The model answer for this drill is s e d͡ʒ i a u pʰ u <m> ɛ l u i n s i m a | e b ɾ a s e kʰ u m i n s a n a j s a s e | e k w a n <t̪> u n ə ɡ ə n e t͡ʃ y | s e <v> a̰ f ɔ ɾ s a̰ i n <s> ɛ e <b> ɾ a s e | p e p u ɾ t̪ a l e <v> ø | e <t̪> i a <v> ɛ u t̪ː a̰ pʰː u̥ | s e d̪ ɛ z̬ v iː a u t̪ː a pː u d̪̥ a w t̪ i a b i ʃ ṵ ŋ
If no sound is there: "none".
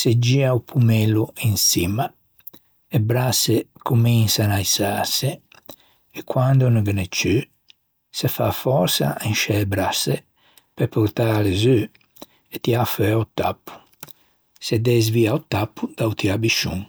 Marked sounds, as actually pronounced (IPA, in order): m, d̪, f, ʃ, b, z, t̪, f

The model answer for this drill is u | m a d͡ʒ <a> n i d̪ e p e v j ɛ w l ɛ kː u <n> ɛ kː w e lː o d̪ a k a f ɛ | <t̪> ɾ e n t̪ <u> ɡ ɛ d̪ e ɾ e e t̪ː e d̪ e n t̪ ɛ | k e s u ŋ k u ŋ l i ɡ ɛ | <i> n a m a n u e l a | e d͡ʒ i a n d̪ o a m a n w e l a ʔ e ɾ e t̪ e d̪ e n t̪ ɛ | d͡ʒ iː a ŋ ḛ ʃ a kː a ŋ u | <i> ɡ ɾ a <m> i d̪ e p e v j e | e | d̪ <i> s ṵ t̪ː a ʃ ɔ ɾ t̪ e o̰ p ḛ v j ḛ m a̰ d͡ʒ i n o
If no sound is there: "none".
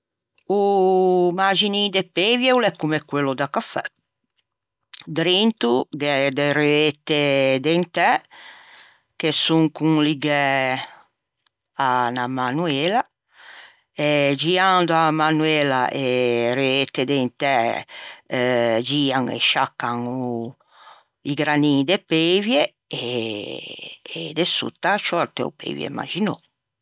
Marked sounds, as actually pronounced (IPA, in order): i, m, d̪, u, a, i, n, e

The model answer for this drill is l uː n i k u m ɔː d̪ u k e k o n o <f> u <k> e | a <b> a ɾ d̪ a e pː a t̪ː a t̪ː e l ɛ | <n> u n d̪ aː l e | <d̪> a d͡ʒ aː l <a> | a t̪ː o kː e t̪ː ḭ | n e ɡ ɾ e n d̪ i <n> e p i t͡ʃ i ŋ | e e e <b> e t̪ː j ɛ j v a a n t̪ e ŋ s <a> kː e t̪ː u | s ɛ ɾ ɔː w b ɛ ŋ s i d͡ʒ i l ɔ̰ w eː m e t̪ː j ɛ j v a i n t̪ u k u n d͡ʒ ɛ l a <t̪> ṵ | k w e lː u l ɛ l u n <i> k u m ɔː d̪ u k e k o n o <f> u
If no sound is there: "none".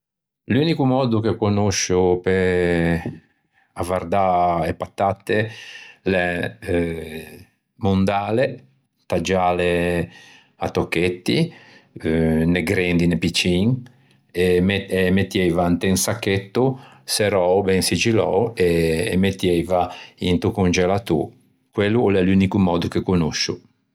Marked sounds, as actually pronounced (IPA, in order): ʃ, p, v, m, t̪, e, n, m, a, t̪, i, ʃ

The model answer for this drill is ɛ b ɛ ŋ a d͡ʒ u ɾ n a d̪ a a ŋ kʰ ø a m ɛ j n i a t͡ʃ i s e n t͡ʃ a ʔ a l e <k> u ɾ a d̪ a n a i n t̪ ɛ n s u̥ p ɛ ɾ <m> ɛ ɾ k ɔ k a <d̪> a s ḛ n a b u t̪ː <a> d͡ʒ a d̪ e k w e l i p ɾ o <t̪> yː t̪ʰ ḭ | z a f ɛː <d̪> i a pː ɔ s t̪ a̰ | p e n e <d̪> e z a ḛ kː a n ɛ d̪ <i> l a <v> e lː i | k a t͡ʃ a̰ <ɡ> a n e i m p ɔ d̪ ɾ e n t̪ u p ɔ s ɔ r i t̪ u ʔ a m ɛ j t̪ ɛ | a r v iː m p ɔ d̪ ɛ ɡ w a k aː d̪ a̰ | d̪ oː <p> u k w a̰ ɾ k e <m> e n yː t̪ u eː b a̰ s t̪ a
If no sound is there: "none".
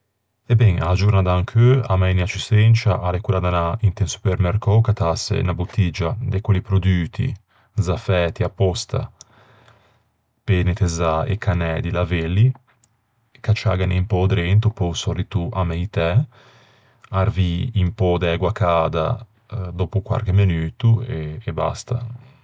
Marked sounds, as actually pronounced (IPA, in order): k, m, t̪, i, d̪, t̪, t̪, i, v, ɡ, p, m

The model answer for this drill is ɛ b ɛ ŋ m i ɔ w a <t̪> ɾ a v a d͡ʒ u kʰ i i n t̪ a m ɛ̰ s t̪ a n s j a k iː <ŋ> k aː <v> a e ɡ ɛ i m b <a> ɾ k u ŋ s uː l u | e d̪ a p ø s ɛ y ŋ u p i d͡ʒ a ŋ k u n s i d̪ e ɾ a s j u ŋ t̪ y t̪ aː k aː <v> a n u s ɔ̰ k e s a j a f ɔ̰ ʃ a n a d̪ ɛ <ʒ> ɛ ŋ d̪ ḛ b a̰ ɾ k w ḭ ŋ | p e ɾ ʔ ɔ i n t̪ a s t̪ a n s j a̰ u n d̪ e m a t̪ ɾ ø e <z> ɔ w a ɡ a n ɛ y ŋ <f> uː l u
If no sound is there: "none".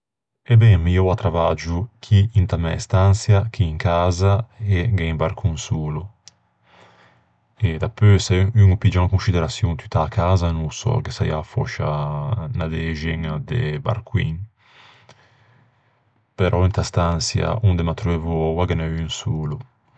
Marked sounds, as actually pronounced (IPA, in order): t̪, ŋ, z, a, z, ʒ, v, s

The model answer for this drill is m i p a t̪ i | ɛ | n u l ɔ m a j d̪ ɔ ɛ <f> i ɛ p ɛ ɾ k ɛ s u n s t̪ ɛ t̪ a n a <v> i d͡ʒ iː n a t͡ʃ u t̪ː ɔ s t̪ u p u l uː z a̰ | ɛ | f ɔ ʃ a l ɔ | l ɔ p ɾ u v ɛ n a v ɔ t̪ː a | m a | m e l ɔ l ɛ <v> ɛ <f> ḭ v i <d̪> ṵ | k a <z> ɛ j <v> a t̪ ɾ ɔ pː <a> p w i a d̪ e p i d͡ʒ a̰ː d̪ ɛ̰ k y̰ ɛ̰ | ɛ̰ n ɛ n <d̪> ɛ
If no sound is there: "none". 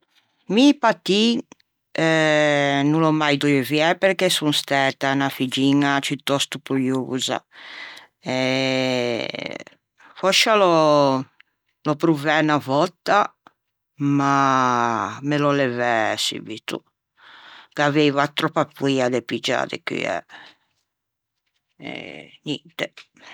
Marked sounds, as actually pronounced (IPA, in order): v, f, v, s, t̪, v, v, a, t̪

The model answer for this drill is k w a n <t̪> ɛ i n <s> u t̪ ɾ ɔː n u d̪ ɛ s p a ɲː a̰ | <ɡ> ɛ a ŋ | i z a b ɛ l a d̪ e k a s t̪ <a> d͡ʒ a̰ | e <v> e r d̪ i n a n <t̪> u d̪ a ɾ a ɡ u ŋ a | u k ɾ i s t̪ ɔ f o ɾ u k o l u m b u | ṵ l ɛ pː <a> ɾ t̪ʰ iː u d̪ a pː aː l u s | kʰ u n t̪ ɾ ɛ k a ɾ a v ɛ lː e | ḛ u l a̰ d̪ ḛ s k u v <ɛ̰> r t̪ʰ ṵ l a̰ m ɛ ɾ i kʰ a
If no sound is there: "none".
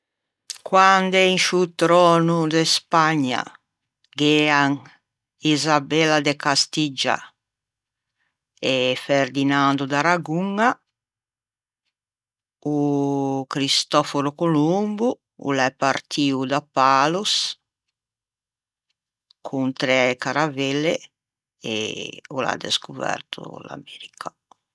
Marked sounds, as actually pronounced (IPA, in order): d̪, ʃ, ɡ, i, f, d̪, a, ɛ̰

